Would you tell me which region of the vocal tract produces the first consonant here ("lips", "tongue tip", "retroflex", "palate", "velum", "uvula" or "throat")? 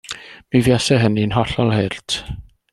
lips